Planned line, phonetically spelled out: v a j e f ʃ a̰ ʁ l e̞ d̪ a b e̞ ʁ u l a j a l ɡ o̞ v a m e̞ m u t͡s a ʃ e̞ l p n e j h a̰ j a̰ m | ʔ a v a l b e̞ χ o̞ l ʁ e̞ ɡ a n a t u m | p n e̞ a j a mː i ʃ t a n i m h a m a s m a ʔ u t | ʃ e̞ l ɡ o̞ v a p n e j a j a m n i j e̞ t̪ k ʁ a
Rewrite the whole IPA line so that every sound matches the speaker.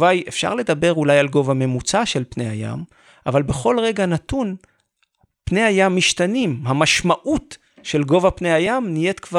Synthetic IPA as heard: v a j e f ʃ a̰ ʁ l e̞ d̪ a b e̞ ʁ u l a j a l ɡ o̞ v a m e̞ m u t͡s a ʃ e̞ l p n e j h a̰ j a̰ m | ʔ a v a l b e̞ χ o̞ l ʁ e̞ ɡ a n a t u n | p n e̞ a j a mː i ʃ t a n i m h a m a ʃ m a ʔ u t | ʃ e̞ l ɡ o̞ v a p n e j a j a m n i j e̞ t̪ k v a